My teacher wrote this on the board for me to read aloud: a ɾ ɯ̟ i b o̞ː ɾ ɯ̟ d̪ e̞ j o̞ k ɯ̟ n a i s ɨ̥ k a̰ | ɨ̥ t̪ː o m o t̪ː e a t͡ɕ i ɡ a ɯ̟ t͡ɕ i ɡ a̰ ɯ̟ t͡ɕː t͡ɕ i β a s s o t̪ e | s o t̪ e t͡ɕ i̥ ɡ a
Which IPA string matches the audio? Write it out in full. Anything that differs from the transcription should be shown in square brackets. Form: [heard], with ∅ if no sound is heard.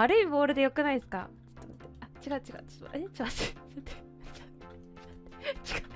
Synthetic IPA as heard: a ɾ ɯ̟ i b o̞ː ɾ ɯ̟ d̪ e̞ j o̞ k ɯ̟ n a i s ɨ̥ k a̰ | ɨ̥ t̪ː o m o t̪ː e a t͡ɕ i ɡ a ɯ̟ t͡ɕ i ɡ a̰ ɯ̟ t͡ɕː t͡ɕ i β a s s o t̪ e | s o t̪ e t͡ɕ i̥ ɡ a